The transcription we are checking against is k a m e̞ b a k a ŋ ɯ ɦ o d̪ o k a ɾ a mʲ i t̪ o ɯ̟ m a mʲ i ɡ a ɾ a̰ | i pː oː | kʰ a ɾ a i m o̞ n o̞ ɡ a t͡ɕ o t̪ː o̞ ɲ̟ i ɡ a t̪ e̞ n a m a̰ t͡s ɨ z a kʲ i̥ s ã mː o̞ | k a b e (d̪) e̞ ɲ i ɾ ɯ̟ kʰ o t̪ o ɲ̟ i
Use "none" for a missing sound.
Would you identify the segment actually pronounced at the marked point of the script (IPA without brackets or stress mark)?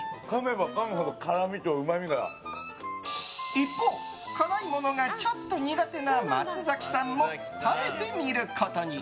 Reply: t̪